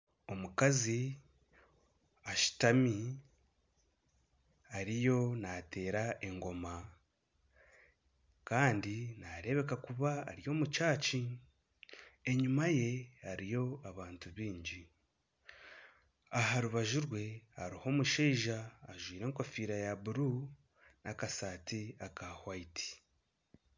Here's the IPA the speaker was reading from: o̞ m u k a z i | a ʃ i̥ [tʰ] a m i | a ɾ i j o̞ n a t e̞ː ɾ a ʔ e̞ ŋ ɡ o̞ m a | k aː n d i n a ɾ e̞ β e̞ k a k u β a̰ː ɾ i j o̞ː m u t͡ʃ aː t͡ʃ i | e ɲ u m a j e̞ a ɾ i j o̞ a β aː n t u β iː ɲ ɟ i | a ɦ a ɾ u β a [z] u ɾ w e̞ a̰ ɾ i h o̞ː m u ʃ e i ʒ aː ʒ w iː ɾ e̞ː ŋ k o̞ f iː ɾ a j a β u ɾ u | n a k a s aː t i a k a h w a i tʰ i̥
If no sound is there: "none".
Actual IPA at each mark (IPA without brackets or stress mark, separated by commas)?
t, ʒ